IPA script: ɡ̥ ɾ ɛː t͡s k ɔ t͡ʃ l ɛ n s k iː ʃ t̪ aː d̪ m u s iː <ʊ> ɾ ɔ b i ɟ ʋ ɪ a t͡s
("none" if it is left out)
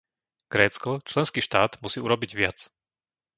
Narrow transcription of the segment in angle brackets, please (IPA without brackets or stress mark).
u